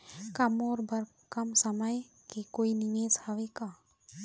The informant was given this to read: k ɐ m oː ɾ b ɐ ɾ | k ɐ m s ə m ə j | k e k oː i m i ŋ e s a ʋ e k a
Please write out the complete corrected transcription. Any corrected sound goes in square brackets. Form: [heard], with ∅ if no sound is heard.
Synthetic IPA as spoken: k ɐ m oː ɾ b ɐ ɾ | k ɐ m s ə m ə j | k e k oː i [n] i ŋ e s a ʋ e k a